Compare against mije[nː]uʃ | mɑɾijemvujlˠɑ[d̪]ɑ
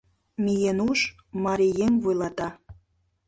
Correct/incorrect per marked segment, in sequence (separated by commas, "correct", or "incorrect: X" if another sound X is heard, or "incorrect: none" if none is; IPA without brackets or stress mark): incorrect: n, incorrect: t̪